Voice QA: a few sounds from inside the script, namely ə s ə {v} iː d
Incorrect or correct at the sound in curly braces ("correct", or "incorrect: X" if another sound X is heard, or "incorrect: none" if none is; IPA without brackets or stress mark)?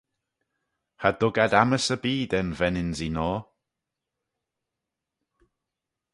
incorrect: b